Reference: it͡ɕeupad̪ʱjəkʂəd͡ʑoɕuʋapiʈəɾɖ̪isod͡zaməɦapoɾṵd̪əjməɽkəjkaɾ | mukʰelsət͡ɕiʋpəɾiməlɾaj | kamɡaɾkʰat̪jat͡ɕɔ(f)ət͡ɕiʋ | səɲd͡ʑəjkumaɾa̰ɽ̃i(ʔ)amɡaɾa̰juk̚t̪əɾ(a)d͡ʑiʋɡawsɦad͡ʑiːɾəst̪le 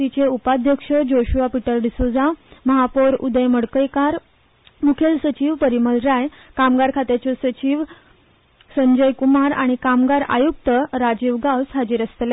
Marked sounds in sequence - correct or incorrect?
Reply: incorrect, incorrect, correct

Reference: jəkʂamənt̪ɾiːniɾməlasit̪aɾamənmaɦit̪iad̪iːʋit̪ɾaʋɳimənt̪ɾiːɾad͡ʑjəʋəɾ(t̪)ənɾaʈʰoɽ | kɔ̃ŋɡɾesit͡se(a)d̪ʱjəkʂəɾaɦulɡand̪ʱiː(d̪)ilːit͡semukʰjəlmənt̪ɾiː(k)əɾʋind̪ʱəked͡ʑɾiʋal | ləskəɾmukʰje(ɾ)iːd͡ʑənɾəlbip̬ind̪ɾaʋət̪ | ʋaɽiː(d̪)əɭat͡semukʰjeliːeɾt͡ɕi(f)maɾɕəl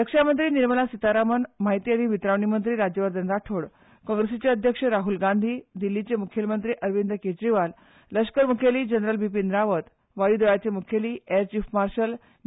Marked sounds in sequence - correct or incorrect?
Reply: incorrect, incorrect, correct, incorrect, incorrect, correct, correct

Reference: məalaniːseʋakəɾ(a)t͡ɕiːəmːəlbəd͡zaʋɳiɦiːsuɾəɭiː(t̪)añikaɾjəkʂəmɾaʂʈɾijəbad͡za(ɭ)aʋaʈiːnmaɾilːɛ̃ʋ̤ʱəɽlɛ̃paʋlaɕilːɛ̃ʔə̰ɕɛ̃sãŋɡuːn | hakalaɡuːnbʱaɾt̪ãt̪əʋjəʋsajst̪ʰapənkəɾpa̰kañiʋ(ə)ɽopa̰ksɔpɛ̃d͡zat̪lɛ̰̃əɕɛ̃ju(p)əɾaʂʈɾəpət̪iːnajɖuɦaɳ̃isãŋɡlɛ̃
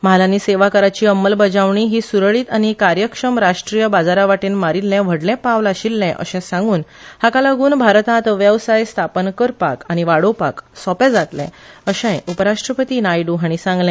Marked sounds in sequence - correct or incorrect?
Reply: correct, correct, incorrect, incorrect, correct

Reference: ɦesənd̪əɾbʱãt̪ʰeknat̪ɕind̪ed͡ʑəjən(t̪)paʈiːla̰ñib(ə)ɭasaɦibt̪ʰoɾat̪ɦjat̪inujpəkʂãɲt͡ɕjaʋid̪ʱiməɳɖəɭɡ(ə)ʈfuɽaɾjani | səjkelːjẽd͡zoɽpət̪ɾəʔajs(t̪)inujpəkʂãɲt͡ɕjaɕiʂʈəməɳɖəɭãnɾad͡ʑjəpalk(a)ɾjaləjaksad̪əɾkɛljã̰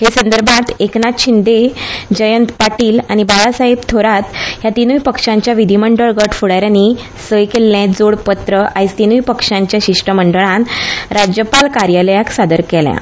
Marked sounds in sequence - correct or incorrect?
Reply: correct, incorrect, correct, correct, correct

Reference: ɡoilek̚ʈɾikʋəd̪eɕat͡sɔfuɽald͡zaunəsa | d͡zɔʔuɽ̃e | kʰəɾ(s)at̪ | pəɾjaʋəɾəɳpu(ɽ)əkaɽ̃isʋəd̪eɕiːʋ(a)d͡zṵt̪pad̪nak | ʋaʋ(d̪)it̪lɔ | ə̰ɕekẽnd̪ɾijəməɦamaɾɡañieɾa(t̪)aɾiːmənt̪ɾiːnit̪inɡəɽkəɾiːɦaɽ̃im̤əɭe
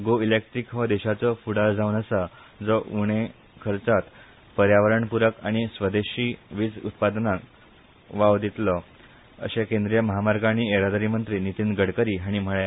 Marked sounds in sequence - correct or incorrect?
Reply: incorrect, incorrect, incorrect, correct, incorrect

